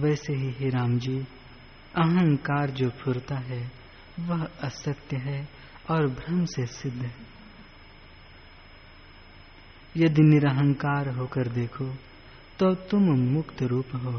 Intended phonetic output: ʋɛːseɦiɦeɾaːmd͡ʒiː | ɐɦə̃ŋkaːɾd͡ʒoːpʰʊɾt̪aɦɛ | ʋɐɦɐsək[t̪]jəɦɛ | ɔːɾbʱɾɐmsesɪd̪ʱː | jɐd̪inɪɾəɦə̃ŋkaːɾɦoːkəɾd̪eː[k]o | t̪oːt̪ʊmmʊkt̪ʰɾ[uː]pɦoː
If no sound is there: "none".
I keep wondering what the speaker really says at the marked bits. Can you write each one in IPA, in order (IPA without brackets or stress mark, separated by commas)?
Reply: t̪, kʰ, uː